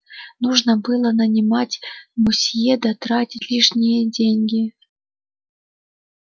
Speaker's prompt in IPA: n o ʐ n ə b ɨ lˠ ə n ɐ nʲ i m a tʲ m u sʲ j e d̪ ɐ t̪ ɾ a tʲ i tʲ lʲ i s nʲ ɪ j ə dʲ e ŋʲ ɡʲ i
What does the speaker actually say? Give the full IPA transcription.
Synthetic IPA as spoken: n u ʐ n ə b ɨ lˠ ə n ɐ nʲ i m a tʲ m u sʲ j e d̪ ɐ t̪ ɾ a tʲ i tʲ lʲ i ʂ nʲ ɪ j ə dʲ e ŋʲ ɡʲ i